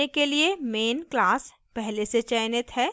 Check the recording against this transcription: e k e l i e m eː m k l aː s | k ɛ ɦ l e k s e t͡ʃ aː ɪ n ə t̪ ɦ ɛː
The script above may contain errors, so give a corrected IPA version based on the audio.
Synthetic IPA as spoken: e k e l i e m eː n k l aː s | p ɛ ɦ l e s e t͡ʃ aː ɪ n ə t̪ ɦ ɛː

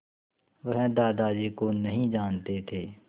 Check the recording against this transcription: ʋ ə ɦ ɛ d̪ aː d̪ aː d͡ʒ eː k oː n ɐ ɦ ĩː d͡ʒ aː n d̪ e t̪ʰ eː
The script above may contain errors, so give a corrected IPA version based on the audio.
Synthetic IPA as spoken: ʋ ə ɦ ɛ d̪ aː d̪ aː d͡ʒ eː k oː n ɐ ɦ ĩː d͡ʒ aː n t̪ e t̪ʰ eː

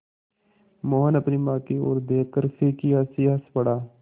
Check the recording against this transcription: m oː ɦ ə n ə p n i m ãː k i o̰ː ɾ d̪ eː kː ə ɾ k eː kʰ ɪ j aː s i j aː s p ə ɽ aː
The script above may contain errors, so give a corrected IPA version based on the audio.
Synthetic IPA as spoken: m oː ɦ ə n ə p n i m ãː k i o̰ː ɾ d̪ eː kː ə ɾ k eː k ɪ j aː s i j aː s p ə ɽ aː

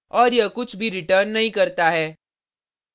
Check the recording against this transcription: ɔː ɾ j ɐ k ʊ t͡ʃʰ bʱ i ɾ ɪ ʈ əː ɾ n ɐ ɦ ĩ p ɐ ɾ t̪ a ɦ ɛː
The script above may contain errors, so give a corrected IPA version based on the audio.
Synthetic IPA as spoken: ɔː ɾ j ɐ k ʊ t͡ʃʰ bʱ i ɾ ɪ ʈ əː ɾ nː ɐ ɦ ĩ k ɐ ɾ t̪ a ɦ ɛː

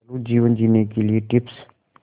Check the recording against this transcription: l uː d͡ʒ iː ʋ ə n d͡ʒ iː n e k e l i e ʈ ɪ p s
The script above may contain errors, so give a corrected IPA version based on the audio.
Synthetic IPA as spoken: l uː d͡ʒ iː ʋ ə n d͡ʒ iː n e k e l i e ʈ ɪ p s

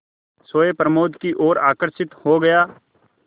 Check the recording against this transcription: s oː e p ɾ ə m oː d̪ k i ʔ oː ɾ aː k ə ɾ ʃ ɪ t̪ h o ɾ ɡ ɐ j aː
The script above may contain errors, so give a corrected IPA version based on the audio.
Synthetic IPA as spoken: s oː e p ɾ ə m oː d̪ k i ʔ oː ɾ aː k ə ɾ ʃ ɪ t̪ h o ɡ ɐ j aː

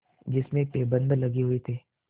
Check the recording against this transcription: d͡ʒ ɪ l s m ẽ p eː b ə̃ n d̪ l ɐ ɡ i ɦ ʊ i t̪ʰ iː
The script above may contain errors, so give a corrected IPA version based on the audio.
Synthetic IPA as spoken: d͡ʒ ɪ s m ẽ p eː b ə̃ n d̪ l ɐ ɡ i ɦ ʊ i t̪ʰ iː

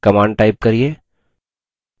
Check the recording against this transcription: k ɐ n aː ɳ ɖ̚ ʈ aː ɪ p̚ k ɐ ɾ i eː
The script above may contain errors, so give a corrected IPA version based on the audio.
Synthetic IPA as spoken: k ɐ m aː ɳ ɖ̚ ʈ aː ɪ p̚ k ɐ ɾ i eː

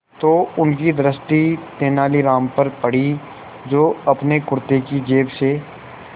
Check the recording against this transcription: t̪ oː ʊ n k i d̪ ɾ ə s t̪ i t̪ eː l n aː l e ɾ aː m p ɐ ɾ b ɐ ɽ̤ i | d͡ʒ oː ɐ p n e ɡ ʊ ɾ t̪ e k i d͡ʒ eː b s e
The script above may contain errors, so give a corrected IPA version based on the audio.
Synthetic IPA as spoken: t̪ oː ʊ n k i d̪ ɾ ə s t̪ i t̪ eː n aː l i ɾ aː m p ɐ ɾ p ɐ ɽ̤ i | d͡ʒ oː ɐ p n e k ʊ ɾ t̪ e k i d͡ʒ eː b s e

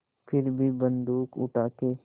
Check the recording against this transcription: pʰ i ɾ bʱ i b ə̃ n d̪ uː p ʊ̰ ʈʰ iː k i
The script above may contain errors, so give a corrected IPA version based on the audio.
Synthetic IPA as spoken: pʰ ɪ ɾ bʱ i b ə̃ n d̪ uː k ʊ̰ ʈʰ aː k e

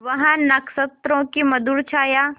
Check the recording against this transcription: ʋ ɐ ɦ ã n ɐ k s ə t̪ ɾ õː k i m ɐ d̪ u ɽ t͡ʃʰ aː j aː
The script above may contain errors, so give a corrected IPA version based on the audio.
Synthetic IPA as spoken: ʋ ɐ ɦ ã n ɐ k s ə t̪ ɾ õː k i m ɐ d̪ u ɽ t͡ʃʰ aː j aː

